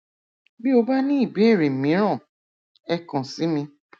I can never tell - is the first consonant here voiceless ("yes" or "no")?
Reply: no